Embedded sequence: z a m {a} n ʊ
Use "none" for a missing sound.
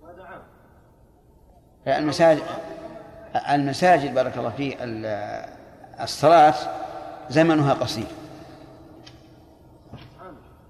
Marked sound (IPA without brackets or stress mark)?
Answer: a